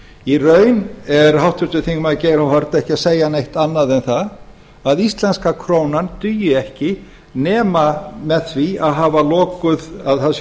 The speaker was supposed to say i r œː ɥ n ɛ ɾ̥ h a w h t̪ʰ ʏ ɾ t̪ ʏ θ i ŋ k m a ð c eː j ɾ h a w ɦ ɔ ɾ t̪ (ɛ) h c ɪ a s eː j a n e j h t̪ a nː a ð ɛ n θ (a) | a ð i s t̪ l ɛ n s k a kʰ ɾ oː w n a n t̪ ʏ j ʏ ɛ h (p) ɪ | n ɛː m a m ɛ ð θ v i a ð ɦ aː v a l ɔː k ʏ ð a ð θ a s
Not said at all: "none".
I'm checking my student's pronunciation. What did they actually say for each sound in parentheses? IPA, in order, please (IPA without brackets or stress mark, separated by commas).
ɛ, a, c